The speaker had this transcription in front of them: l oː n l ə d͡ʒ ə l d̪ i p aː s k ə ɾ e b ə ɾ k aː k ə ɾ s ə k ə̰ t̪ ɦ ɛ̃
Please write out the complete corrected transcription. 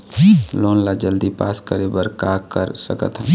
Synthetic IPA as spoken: l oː n l a d͡ʒ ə l d̪ i p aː s k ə ɾ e b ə ɾ k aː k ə ɾ s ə k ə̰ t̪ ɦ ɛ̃

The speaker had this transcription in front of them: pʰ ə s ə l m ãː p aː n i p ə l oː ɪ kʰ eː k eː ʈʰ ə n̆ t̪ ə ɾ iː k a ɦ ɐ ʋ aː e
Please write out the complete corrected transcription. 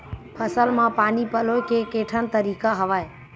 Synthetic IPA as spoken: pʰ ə s ə l m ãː p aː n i p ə l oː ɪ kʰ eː k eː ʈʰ ə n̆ t̪ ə ɾ iː k a ɦ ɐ ʋ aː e

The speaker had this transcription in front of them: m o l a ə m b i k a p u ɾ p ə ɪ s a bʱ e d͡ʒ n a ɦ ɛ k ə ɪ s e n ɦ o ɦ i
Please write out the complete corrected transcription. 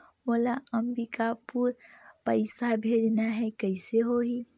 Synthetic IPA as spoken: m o l a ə m b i k a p u ɾ p ə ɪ s a bʱ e d͡ʒ n a ɦ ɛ k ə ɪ s e ɦ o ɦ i

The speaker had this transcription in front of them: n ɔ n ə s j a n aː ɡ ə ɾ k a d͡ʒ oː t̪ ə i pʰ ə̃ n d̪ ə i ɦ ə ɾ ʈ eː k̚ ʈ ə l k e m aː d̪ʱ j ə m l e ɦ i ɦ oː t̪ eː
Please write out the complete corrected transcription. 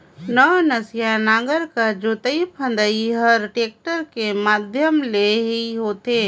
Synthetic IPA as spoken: n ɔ n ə s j a n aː ɡ ə ɾ k a d͡ʒ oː t̪ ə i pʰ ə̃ n d̪ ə i ɦ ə ɾ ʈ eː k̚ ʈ ə ɾ k e m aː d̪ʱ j ə m l e ɦ i ɦ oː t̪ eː

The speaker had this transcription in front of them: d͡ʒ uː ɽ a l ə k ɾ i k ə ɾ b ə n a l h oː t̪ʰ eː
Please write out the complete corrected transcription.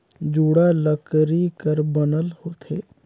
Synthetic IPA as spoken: d͡ʒ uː ɽ a l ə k ɾ i k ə ɾ b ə n ə l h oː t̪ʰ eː

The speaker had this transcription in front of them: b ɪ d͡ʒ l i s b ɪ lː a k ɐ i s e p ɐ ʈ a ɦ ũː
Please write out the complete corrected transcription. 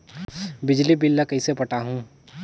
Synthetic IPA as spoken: b ɪ d͡ʒ l i b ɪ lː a k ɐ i s e p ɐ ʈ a ɦ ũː

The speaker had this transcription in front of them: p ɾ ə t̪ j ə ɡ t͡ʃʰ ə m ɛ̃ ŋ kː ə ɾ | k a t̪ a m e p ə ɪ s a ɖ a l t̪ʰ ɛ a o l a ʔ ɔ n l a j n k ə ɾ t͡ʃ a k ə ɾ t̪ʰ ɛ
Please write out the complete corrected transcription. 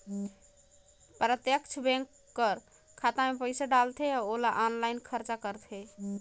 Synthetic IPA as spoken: p ɾ ə t̪ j ə k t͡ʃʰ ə b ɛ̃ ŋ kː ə ɾ | kʰ a t̪ a m e p ə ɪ s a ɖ a l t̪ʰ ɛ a o l a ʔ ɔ n l a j n kʰ ə ɾ t͡ʃ a k ə ɾ t̪ʰ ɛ

